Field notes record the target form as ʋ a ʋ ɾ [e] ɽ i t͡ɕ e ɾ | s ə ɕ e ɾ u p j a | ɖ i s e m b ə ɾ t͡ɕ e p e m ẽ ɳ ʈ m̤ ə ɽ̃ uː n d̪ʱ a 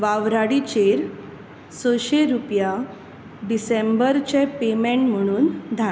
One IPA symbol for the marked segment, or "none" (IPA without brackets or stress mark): a